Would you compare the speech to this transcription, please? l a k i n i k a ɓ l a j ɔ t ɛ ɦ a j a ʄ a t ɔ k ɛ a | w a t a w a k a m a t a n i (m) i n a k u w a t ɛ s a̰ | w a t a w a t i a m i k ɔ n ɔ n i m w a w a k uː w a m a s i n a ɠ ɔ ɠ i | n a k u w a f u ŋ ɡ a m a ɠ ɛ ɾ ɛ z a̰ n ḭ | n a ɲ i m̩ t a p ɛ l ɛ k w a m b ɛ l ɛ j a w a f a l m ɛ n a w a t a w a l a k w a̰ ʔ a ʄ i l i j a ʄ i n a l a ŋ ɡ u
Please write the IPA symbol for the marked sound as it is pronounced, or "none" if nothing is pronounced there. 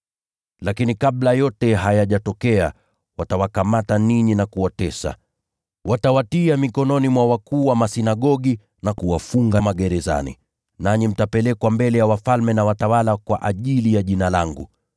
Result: ɲ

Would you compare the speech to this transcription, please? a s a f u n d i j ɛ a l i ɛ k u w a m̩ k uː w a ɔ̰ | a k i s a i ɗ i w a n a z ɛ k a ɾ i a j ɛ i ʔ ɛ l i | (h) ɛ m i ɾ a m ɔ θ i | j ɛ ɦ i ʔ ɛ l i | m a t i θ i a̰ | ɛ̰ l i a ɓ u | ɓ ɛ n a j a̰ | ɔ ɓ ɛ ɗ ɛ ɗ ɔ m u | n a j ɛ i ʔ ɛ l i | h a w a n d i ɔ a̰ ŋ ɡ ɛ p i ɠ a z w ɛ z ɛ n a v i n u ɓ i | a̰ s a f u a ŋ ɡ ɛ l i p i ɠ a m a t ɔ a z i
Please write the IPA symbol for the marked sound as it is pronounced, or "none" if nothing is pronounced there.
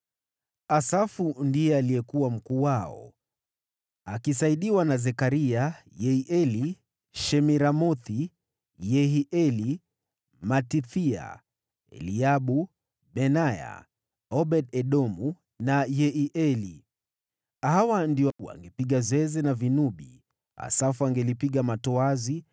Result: ʃ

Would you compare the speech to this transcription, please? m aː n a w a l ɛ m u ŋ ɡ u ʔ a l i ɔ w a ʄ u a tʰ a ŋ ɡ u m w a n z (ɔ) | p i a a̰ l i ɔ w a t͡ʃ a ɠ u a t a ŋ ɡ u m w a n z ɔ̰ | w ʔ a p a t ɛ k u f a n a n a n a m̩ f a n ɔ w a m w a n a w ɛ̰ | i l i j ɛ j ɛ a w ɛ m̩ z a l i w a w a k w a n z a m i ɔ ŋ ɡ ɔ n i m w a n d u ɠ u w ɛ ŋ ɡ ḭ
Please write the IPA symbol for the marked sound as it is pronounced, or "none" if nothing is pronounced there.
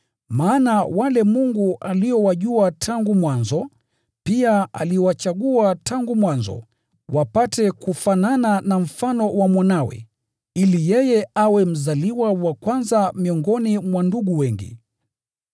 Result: ɔ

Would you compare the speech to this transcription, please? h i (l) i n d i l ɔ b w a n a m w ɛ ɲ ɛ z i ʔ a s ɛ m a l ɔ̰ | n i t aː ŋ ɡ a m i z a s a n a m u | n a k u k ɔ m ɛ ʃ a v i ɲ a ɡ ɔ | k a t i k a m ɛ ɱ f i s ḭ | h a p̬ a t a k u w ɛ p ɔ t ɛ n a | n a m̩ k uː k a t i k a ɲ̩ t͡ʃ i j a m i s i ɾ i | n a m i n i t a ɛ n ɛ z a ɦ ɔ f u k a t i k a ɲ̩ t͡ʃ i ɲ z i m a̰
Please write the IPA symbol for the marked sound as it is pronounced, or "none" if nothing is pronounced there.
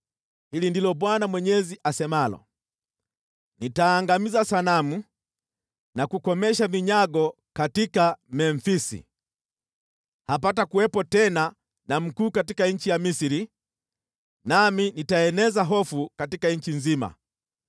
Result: l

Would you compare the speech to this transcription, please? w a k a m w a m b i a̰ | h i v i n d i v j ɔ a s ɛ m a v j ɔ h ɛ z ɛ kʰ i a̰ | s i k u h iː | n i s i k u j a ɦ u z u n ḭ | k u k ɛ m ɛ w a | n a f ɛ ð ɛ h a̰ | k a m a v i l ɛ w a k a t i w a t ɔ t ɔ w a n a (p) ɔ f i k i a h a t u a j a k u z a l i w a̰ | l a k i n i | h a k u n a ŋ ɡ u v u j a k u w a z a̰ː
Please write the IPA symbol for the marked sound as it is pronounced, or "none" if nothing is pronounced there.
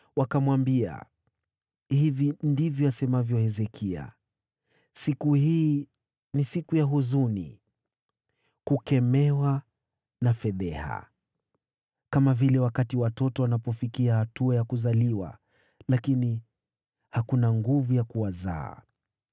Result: p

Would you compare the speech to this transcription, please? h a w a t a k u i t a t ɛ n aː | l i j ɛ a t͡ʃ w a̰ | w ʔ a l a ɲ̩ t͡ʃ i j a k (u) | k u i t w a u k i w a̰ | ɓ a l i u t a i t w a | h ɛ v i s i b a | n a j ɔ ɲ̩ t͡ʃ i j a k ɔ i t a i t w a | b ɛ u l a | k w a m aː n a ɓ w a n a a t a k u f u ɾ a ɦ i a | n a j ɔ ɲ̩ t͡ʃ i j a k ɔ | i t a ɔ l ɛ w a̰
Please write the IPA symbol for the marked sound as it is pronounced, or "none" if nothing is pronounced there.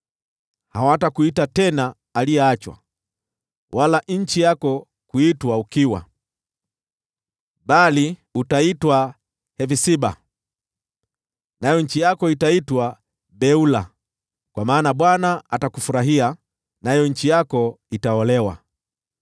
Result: ɔ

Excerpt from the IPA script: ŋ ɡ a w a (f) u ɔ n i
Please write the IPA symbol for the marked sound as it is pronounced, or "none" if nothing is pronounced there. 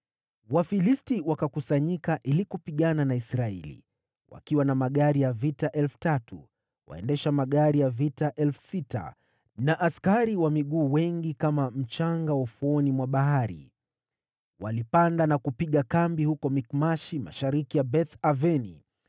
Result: f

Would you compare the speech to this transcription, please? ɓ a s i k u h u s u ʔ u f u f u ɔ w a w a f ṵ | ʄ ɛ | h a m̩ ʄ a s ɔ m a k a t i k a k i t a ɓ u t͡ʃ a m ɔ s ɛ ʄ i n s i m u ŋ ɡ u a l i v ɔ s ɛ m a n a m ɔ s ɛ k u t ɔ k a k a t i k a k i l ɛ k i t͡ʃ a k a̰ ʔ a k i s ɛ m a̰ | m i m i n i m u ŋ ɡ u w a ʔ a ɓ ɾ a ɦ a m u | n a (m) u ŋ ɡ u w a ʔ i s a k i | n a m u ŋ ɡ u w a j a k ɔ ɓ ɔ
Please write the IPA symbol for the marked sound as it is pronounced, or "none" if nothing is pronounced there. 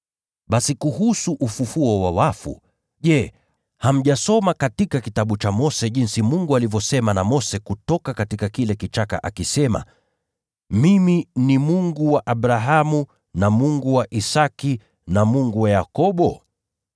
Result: m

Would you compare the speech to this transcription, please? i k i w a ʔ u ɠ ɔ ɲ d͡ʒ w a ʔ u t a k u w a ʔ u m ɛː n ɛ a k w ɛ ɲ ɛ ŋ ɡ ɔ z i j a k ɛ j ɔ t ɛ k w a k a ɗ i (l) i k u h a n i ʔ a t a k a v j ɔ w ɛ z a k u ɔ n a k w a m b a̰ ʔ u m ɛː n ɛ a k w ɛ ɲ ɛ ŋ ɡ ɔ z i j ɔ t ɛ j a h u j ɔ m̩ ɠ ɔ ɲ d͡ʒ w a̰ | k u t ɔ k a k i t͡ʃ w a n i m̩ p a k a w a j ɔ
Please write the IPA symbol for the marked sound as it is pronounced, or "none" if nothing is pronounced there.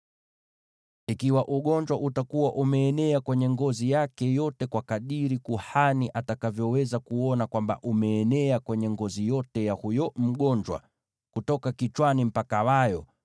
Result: ɾ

